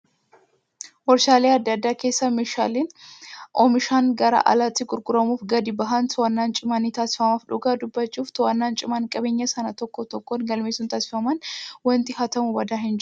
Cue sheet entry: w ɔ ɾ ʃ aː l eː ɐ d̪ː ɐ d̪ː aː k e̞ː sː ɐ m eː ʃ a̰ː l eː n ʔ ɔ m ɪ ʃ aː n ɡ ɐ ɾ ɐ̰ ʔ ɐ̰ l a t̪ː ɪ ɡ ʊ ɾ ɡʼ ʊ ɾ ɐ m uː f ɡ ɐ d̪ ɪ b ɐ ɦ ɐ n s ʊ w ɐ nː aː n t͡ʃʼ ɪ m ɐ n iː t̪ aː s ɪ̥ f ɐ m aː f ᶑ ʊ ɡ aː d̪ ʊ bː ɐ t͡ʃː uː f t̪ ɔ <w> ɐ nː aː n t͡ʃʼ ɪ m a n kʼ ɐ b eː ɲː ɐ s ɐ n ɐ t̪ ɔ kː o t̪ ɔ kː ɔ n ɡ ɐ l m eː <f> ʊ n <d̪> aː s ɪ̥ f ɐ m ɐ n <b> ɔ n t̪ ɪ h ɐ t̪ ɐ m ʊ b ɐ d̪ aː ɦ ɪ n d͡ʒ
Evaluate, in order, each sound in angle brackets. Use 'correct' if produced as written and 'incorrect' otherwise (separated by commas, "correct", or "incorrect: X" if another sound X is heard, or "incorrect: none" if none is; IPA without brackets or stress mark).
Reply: correct, incorrect: s, incorrect: t̪, incorrect: w